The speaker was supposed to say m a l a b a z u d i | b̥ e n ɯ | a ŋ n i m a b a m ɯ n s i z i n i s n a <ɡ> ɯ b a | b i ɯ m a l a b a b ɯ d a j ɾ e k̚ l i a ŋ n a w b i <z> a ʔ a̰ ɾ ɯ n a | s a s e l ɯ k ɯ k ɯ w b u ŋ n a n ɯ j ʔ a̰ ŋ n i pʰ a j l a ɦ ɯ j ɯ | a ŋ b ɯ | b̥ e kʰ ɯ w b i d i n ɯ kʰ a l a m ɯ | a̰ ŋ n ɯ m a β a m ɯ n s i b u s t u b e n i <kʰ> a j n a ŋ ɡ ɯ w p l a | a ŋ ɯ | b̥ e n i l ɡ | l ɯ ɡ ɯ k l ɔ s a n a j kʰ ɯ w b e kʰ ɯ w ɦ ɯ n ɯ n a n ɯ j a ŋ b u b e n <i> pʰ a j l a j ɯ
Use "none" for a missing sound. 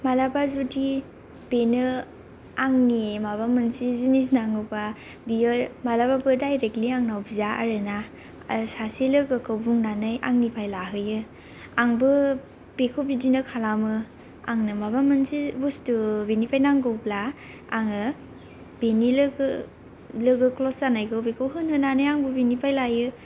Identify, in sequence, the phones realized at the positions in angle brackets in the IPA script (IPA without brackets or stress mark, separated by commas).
ŋ, z, pʰ, i